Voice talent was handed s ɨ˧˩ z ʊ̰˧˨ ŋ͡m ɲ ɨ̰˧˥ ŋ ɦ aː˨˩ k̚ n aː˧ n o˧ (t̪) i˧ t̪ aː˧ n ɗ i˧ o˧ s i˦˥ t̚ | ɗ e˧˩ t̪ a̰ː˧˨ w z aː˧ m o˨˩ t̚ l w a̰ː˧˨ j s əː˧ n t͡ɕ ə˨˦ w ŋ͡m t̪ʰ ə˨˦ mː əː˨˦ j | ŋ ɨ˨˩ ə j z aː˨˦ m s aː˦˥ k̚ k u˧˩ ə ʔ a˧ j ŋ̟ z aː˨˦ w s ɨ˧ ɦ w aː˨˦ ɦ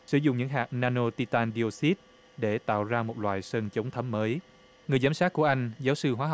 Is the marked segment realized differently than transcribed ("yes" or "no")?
no